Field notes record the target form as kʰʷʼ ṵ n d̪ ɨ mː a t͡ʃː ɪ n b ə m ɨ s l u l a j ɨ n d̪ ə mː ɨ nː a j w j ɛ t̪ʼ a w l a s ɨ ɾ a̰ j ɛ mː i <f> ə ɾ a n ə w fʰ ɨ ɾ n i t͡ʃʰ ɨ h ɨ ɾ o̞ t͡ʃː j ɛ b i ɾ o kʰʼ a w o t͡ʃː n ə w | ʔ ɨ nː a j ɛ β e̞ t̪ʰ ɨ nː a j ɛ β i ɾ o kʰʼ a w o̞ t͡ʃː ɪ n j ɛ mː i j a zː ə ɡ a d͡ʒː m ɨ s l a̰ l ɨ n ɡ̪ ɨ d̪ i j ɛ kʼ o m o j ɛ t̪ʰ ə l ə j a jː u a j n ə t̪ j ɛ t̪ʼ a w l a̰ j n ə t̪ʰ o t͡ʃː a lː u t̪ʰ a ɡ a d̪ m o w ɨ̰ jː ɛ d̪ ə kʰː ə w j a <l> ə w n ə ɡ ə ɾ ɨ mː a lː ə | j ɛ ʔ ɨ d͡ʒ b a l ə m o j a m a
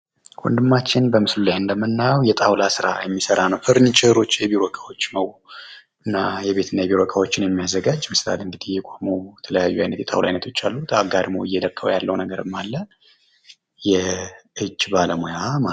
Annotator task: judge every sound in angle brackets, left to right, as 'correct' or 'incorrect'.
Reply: incorrect, incorrect

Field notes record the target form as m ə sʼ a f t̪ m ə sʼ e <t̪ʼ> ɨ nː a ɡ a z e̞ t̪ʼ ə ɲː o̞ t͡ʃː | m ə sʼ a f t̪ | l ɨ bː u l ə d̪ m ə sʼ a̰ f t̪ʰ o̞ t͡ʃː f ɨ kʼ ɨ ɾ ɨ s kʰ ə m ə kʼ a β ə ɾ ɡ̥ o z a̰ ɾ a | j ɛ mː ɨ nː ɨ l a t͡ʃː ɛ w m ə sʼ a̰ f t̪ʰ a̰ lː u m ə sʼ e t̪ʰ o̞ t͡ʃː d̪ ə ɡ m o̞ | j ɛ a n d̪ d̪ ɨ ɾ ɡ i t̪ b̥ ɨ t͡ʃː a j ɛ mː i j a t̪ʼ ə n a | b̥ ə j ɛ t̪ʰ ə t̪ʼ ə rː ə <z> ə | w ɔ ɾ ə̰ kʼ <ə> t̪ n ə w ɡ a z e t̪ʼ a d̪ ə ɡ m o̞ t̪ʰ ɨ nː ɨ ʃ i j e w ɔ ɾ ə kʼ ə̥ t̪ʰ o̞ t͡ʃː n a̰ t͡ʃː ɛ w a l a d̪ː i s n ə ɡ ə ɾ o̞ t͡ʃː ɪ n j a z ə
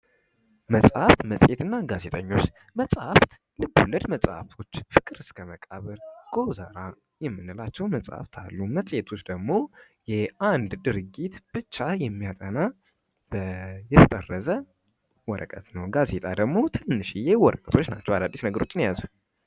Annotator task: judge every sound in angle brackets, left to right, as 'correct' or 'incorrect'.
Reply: incorrect, correct, correct

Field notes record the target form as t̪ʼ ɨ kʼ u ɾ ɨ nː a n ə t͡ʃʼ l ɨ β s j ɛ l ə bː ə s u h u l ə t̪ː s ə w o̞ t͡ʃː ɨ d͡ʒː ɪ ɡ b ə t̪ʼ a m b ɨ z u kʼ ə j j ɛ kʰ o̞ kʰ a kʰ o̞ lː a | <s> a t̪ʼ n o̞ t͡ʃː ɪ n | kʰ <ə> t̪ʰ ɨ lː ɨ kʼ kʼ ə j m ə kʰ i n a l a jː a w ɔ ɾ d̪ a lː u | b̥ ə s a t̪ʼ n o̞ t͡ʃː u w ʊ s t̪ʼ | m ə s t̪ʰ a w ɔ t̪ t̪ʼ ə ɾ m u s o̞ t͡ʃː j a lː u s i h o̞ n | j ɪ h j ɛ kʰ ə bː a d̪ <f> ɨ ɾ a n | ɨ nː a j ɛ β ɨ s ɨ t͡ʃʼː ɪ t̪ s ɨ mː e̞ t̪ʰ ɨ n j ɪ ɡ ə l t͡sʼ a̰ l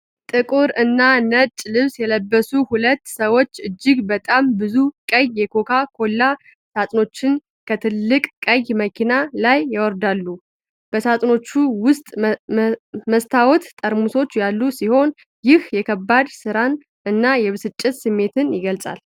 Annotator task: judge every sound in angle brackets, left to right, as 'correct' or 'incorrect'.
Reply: correct, correct, incorrect

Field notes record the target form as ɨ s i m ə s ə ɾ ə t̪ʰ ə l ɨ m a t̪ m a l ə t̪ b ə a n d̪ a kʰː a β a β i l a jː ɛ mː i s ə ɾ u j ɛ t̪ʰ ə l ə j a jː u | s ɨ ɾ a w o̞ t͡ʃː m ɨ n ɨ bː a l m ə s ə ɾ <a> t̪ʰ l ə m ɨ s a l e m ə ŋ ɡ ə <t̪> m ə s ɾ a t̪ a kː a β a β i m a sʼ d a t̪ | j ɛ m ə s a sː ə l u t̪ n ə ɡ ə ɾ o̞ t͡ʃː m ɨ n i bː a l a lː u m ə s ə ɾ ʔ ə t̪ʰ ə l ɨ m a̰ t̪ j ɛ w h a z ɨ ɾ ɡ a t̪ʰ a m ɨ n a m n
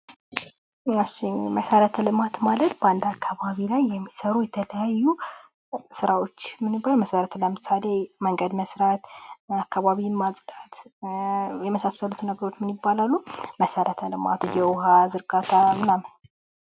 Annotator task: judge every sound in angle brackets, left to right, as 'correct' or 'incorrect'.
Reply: incorrect, incorrect

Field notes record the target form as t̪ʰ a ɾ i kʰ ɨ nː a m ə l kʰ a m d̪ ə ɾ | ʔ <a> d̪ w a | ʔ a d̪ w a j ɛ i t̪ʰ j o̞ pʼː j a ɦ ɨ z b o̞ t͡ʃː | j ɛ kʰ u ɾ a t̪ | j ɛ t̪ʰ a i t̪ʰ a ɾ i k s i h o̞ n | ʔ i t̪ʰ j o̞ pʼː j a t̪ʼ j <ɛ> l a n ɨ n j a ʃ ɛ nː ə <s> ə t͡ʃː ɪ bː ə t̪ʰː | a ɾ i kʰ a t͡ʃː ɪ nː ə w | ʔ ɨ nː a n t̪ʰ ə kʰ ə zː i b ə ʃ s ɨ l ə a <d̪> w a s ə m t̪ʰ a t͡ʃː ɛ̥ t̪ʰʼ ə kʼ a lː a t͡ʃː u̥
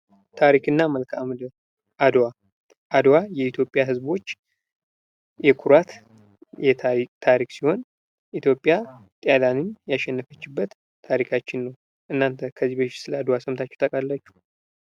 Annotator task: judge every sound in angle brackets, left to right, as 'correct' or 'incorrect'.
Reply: correct, incorrect, incorrect, correct

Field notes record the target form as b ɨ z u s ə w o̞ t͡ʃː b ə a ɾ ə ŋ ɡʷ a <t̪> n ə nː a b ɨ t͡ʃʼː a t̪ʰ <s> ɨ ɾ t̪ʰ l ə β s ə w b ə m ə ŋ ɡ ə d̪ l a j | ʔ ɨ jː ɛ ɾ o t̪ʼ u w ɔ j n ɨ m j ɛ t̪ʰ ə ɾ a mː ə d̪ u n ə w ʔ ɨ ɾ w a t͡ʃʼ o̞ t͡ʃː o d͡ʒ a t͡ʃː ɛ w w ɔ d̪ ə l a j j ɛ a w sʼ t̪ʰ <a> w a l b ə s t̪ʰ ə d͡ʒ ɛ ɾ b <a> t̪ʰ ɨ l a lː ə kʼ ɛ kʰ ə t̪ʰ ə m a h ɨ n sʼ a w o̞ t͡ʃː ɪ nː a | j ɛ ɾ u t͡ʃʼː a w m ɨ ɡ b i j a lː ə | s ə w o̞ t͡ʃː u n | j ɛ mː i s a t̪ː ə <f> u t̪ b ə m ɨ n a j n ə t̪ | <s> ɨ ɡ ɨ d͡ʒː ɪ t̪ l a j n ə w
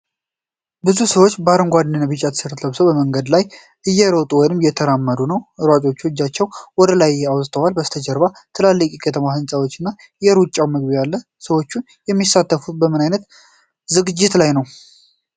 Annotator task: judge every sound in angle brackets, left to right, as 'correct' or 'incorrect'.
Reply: incorrect, correct, incorrect, correct, correct, incorrect

